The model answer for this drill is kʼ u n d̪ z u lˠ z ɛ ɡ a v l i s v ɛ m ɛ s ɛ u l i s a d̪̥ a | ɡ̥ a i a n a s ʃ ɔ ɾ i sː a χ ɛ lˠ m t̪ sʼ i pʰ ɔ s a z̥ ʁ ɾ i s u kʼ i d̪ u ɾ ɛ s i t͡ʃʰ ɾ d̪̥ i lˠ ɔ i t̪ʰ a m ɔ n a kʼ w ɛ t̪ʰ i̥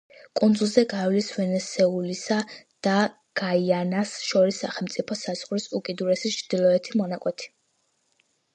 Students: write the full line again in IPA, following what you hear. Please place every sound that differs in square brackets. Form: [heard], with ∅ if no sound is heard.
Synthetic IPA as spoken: kʼ u n d̪ z u lˠ z ɛ ɡ a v l i s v ɛ [n] ɛ s ɛ u l i s a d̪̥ a | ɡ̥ a i a n a s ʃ ɔ ɾ i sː a χ ɛ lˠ m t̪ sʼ i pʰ ɔ s a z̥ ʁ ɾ i s u kʼ i d̪ u ɾ ɛ s i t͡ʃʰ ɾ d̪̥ i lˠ ɔ [ɛ] t̪ʰ [i] m ɔ n a kʼ w ɛ t̪ʰ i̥